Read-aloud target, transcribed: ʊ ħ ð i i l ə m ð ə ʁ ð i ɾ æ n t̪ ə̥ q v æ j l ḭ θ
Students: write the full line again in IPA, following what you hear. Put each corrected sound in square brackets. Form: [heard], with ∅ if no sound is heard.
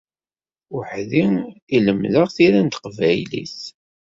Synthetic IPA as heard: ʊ ħ ð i i l ə m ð ə ʁ [θ] i ɾ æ n t̪ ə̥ q v æ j l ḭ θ